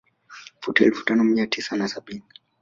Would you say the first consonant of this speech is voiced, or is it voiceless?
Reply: voiceless